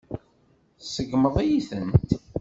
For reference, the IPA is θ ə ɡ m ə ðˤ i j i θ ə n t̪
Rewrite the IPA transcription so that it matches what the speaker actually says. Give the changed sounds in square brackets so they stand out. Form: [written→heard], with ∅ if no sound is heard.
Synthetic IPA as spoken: [θ→s] ə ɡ m ə ðˤ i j i θ ə n t̪